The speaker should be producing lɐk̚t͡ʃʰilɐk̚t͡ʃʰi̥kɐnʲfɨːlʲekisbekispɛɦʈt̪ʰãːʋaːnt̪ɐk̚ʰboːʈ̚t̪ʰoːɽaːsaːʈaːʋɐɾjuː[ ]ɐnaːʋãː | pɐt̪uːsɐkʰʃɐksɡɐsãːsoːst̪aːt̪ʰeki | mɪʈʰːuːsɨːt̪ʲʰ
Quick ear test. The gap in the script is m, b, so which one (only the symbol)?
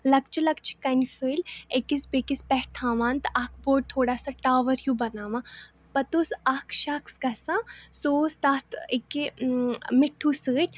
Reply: b